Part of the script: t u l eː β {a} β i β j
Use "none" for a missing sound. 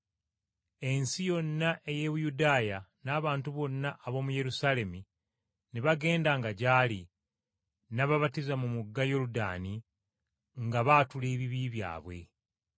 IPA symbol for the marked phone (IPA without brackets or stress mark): i